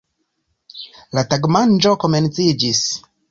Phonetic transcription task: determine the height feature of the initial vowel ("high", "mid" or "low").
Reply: low